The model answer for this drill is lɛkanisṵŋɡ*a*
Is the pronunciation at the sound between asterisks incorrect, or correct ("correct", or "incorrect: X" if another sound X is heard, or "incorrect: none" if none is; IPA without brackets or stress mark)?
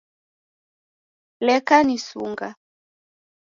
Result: correct